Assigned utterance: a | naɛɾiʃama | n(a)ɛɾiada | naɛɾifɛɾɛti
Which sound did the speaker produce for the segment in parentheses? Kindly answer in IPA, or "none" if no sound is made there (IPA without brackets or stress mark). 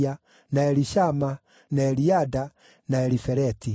a